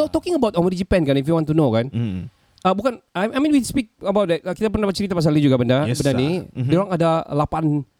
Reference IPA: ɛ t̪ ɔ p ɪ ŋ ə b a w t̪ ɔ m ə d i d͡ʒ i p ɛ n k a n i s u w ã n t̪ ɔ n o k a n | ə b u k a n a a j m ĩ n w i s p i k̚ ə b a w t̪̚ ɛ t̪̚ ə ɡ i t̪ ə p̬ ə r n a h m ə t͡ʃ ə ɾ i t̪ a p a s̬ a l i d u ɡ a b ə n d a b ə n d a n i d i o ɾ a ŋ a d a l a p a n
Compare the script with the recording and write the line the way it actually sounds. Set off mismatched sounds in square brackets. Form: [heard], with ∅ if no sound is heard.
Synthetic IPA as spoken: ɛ t̪ ɔ [k] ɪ ŋ ə b a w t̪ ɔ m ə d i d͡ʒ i p ɛ n k a n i [f] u w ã n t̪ [u] n o k a n | ə b u k a n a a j m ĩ n w i s p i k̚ ə b a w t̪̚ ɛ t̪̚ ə [k] i t̪ [a] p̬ ə r n a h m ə t͡ʃ ə ɾ i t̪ a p a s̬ a l i [d͡ʒ] u ɡ a b ə n d a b ə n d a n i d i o ɾ a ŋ a d a l a p a n